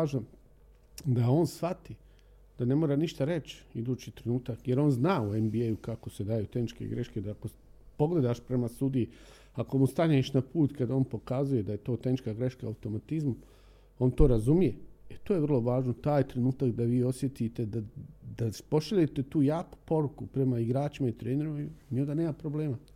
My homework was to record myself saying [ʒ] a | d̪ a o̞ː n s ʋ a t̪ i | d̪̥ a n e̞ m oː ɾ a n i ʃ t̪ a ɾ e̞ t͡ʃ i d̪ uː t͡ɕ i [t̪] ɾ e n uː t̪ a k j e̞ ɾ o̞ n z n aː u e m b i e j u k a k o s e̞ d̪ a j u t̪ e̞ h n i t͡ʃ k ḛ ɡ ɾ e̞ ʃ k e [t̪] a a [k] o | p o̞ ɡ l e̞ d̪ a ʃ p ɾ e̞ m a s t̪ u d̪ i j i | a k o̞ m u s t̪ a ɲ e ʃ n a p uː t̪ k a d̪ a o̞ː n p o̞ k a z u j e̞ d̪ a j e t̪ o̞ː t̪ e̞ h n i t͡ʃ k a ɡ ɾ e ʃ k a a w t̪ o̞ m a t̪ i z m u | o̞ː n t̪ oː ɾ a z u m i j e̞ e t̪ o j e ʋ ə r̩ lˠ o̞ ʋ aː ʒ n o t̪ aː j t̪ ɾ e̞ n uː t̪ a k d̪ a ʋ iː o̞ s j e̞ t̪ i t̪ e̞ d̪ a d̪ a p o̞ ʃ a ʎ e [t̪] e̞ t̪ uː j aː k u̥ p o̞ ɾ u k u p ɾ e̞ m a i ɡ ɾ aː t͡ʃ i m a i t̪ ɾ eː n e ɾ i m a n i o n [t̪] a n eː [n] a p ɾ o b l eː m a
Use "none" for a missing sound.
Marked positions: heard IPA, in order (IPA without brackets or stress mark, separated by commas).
ʒ, t̪, d̪, k, t̪, d̪, m